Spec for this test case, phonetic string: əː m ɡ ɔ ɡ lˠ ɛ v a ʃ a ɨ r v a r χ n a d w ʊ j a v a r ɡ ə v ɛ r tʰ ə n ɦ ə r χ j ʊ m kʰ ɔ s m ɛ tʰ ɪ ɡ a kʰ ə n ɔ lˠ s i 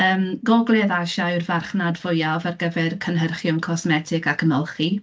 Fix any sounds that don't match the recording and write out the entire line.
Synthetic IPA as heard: əː m ɡ ɔ ɡ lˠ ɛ ð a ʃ a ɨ r v a r χ n a d v ʊ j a v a r ɡ ə v ɛ r kʰ ə n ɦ ə r χ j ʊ m kʰ ɔ s m ɛ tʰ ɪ ɡ a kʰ ə n ɔ lˠ χ i